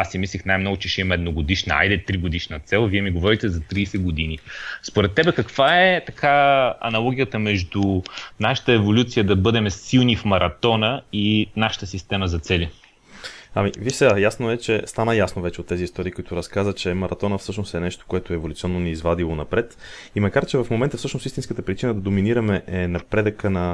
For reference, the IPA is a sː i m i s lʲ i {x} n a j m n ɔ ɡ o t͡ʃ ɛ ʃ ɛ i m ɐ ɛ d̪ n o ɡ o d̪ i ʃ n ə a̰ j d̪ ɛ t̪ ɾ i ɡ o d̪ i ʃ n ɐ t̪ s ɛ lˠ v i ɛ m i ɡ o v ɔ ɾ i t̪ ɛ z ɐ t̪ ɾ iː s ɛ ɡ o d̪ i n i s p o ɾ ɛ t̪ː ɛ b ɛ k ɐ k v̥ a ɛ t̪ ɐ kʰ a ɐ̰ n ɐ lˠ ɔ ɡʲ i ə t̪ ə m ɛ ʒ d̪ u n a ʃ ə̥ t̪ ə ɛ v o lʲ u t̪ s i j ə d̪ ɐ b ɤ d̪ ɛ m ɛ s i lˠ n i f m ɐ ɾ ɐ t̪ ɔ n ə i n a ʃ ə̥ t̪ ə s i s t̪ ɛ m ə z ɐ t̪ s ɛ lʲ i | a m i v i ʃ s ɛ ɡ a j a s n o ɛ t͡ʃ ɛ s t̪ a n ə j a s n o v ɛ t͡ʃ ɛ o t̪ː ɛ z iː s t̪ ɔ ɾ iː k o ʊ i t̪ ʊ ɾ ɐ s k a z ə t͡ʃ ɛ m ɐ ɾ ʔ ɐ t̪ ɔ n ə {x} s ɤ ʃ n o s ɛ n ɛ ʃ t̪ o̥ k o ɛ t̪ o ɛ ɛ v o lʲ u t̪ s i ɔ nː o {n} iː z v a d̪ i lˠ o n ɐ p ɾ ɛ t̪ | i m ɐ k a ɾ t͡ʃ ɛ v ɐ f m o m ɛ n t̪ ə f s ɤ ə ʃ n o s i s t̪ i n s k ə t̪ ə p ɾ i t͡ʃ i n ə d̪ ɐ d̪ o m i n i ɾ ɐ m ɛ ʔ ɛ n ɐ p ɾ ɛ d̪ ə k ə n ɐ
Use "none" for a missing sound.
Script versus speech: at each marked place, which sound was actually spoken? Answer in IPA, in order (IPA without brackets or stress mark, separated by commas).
x, f, n